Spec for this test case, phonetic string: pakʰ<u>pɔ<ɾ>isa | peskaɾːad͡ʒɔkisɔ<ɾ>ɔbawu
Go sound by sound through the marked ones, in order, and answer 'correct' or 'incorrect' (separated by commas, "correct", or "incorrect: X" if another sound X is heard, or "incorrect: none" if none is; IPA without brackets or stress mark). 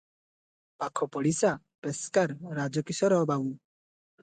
incorrect: ɔ, incorrect: ɽ, correct